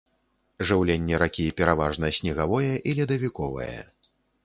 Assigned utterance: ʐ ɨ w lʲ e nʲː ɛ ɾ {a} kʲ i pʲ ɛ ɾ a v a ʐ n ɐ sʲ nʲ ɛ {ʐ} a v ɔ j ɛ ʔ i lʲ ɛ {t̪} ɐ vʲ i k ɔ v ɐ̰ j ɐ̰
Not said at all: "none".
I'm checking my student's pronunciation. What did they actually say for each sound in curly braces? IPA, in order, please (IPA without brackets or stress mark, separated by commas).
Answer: a, ɣ, d̪